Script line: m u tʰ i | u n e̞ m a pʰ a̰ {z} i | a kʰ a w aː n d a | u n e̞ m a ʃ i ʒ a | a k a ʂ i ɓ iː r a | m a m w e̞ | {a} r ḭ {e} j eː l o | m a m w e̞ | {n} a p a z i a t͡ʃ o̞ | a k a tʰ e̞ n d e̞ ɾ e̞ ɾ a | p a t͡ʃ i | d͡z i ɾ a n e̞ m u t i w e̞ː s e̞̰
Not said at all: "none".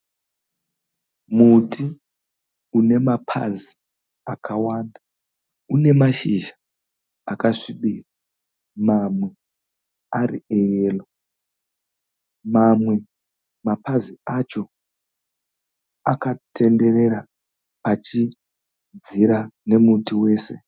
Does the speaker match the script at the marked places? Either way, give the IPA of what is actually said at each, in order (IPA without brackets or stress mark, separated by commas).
z, a, e, m